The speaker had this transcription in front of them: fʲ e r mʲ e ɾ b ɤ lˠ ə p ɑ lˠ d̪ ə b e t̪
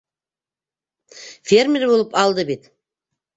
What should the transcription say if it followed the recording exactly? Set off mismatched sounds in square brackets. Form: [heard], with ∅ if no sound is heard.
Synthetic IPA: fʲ e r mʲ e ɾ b [o] lˠ ə p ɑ lˠ d̪ ə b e t̪

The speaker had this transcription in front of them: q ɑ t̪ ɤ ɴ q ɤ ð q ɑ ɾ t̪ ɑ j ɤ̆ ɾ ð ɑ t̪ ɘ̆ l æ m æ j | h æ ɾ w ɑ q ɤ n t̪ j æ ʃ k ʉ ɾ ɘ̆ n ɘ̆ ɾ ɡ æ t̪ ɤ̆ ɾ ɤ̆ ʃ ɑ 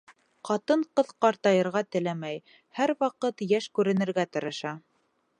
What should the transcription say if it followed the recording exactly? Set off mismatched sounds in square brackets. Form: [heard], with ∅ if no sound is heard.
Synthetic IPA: q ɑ t̪ ɤ ɴ q ɤ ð q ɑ ɾ t̪ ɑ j ɤ̆ ɾ [ʁ] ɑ t̪ ɘ̆ l æ m æ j | h æ ɾ w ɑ q ɤ [∅] t̪ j æ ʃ k ʉ ɾ ɘ̆ n ɘ̆ ɾ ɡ æ t̪ ɤ̆ ɾ ɤ̆ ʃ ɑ

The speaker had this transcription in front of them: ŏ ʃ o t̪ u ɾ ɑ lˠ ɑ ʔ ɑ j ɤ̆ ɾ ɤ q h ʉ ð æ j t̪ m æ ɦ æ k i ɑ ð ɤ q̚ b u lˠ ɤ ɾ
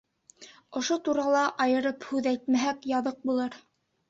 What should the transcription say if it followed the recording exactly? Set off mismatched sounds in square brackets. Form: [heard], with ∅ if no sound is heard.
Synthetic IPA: ŏ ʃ o t̪ u ɾ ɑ lˠ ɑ ʔ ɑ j ɤ̆ ɾ ɤ [p] h ʉ ð æ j t̪ m æ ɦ æ k [j] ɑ ð ɤ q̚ b u lˠ ɤ ɾ

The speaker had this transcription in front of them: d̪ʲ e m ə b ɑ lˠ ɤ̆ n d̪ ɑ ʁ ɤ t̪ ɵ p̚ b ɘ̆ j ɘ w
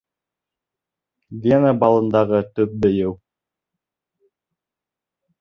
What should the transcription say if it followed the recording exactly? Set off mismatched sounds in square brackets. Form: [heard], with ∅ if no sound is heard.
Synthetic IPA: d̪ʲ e [n] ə b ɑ lˠ ɤ̆ n d̪ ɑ ʁ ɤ t̪ ɵ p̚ b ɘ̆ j ɘ w

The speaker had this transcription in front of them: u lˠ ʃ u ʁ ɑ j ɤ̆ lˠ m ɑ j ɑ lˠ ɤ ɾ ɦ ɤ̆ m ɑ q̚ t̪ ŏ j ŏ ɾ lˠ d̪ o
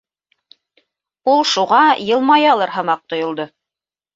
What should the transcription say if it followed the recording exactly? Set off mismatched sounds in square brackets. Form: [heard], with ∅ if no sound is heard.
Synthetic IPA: u lˠ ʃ u ʁ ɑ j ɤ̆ lˠ m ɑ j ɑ lˠ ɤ ɾ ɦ ɤ̆ m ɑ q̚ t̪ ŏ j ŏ [∅] lˠ d̪ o

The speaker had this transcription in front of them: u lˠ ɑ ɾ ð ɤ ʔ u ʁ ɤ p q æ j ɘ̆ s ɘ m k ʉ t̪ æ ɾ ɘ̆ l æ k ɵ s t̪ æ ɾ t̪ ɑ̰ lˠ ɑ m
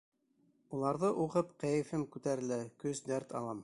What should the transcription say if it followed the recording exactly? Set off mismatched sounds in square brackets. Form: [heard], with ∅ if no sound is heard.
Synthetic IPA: u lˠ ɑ ɾ ð ɤ ʔ u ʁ ɤ p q æ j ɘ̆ [f] ɘ m k ʉ t̪ æ ɾ ɘ̆ l æ k ɵ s [d̪] æ ɾ t̪ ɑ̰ lˠ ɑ m

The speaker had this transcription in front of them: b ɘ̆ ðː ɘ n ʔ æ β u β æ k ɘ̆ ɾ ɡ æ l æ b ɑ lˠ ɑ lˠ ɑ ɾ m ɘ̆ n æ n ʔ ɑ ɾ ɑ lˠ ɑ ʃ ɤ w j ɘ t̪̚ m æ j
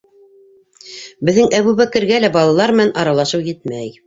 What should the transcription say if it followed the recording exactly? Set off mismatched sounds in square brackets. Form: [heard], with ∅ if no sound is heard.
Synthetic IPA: b ɘ̆ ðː ɘ [ŋ] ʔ æ β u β æ k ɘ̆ ɾ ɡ æ l æ b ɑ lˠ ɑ lˠ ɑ ɾ m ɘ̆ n æ n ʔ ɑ ɾ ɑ lˠ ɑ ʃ ɤ w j ɘ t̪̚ m æ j

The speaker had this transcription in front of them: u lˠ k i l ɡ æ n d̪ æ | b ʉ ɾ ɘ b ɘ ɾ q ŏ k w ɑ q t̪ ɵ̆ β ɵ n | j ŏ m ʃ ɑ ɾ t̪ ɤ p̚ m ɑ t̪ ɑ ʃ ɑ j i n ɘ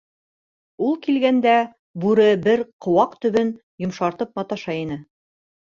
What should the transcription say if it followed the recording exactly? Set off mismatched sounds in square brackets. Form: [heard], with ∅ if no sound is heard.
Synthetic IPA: u lˠ k i l ɡ æ n d̪ æ | b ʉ ɾ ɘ b ɘ ɾ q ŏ [∅] w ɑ q t̪ ɵ̆ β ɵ n | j ŏ m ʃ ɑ ɾ t̪ ɤ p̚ m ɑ t̪ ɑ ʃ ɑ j i n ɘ

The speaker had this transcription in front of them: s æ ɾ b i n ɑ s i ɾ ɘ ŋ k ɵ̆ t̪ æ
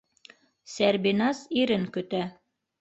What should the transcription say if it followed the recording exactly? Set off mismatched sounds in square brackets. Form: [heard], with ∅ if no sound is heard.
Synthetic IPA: s æ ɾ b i n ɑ s i ɾ ɘ ŋ k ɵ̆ t̪ æ

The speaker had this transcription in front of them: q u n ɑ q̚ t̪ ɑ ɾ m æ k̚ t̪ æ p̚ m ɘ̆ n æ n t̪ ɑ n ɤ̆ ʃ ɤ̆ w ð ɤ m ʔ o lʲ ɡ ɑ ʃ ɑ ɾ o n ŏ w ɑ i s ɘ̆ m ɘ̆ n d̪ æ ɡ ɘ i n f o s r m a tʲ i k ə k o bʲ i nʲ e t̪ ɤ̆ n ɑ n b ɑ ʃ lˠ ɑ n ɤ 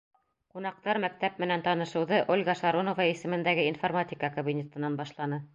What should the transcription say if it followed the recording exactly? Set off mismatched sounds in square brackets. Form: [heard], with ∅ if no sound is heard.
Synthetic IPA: q u n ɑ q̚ t̪ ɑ ɾ m æ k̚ t̪ æ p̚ m ɘ̆ n æ n t̪ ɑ n ɤ̆ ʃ ɤ̆ w ð ɤ [∅] ʔ o lʲ ɡ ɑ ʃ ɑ ɾ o n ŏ [v] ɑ i s ɘ̆ m ɘ̆ n d̪ æ ɡ ɘ i n f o [∅] r m a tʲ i k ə k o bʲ i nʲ e t̪ ɤ̆ n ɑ n b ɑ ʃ lˠ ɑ n ɤ

